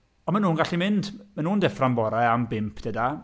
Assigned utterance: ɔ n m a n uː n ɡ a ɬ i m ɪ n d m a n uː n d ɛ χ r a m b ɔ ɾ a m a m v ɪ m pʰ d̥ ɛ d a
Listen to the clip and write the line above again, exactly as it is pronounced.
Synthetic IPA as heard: ɔ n m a n uː n ɡ a ɬ i m ɪ n d m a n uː n d ɛ f r a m b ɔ ɾ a a m b ɪ m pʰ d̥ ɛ d a